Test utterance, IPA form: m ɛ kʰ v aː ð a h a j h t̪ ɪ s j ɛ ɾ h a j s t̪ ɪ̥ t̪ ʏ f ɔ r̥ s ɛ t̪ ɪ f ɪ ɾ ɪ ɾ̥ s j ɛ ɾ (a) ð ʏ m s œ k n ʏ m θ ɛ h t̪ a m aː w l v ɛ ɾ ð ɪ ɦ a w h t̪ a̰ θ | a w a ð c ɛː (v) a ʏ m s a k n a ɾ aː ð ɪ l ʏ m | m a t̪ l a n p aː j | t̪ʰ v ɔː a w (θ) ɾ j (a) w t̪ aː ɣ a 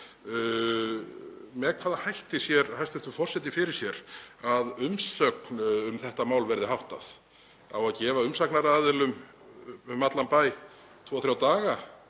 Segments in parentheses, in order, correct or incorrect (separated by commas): correct, correct, correct, correct